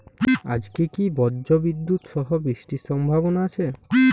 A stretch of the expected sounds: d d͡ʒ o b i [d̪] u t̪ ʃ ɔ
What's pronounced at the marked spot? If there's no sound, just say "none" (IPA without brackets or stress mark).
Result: d̪ː